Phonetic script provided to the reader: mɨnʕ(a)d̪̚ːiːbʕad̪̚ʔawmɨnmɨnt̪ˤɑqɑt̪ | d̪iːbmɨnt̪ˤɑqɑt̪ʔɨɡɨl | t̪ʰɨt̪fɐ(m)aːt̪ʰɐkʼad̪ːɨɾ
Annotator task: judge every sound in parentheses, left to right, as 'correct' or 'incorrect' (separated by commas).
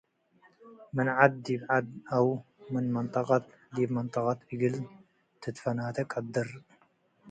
correct, incorrect